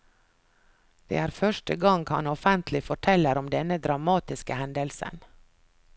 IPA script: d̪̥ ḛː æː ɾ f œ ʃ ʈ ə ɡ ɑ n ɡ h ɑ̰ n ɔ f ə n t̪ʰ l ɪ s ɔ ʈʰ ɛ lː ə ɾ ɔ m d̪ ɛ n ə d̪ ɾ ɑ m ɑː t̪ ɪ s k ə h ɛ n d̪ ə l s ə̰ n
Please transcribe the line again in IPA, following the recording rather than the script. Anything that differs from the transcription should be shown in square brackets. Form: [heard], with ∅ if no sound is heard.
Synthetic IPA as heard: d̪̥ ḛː æː ɾ f œ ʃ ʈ ə ɡ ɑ [ŋ] ɡ h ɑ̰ n ɔ f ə n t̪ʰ l ɪ [f] ɔ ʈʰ ɛ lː ə ɾ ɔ m d̪ ɛ n ə d̪ ɾ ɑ m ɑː t̪ ɪ s k ə h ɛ n d̪ ə l s ə̰ n